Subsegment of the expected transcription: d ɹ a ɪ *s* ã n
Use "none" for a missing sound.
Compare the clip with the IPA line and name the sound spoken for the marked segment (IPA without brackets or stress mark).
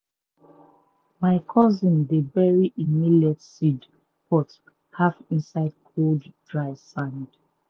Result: s